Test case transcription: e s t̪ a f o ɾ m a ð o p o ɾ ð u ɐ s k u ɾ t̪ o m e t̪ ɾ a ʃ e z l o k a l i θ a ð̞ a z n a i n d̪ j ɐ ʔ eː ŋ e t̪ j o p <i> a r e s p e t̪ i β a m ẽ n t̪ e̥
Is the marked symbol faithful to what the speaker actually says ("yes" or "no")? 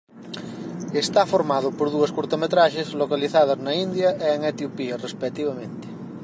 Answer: yes